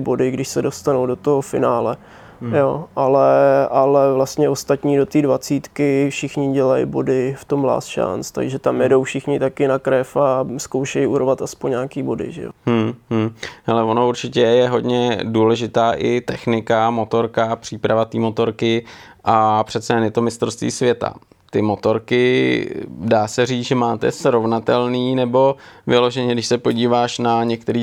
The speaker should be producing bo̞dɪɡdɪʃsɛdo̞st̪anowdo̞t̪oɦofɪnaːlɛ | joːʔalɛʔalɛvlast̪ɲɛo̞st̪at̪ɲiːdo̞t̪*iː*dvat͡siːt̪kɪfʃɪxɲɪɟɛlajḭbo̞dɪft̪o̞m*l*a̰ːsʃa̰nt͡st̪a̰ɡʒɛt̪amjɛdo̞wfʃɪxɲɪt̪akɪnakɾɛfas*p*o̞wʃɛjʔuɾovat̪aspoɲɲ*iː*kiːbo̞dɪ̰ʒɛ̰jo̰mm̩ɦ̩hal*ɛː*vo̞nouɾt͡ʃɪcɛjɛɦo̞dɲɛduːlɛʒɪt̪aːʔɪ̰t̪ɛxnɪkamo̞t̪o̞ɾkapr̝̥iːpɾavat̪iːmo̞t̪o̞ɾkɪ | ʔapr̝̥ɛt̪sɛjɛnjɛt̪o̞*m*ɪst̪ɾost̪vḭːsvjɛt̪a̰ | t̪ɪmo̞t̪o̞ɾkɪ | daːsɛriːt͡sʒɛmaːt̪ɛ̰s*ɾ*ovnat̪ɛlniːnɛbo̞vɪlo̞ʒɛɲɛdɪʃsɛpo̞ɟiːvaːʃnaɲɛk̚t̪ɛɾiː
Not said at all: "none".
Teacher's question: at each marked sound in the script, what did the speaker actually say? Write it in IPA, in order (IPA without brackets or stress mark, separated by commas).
iː, l, k, aː, ɛ, m, ɾ